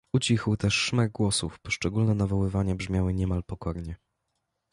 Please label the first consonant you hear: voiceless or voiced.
voiceless